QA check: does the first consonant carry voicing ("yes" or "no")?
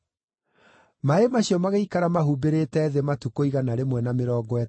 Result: yes